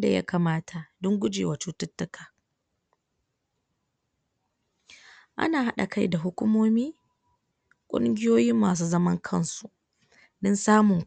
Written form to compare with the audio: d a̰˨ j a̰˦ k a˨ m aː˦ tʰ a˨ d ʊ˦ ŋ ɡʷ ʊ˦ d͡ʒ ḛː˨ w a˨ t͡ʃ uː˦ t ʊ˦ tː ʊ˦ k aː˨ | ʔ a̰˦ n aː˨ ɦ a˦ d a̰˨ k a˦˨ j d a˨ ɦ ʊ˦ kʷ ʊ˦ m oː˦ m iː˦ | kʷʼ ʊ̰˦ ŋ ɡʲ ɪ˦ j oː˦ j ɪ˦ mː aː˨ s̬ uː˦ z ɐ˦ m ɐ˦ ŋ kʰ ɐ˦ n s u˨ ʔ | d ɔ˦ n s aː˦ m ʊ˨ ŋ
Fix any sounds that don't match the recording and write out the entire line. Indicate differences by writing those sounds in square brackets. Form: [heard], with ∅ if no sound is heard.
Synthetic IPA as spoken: d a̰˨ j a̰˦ k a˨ m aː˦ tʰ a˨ d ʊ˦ ŋ ɡʷ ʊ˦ d͡ʒ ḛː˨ w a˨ t͡ʃ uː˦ t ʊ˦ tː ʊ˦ k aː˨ | ʔ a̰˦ n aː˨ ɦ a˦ [ɗ] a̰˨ k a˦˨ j d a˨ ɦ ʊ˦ kʷ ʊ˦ m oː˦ m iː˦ | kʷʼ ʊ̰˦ ŋ ɡʲ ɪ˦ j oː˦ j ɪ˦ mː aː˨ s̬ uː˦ z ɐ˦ m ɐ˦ ŋ kʰ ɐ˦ n s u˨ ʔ | d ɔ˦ n s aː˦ m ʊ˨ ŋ